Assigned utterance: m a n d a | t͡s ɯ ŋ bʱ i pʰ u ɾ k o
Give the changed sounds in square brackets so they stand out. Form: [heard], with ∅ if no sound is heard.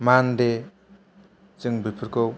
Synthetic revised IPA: m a n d [e] | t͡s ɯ ŋ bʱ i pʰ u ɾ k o